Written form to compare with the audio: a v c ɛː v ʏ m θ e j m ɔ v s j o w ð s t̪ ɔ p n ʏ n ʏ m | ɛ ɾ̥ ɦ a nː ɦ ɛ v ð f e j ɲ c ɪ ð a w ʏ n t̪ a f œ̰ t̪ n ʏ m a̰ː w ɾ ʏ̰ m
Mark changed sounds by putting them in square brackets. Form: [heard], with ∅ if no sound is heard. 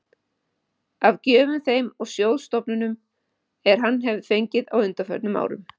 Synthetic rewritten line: a v c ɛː v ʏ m θ e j m ɔ [ɣ] s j o w ð s t̪ ɔ p n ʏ n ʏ m | ɛ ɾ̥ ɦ a nː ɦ ɛ v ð f e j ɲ c ɪ ð a w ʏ n t̪ a f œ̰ t̪ n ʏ m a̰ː w ɾ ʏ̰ m